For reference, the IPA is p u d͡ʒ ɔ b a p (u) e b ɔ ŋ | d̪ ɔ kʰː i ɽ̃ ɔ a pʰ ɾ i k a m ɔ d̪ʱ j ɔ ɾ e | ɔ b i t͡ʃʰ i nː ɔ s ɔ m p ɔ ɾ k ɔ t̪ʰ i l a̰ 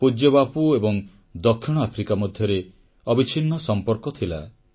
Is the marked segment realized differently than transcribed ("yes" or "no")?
no